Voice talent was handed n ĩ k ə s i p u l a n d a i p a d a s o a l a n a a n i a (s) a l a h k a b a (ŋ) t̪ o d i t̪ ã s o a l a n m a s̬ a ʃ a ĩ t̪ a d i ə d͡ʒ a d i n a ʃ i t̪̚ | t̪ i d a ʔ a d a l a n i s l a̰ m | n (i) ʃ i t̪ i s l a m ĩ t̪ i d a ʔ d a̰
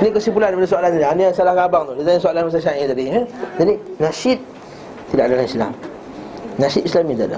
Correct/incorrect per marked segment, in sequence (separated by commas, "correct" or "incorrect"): correct, correct, incorrect